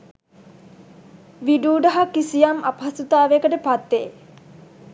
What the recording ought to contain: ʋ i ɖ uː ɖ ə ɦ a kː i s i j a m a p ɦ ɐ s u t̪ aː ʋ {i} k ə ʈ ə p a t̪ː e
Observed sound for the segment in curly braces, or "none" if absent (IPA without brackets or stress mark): e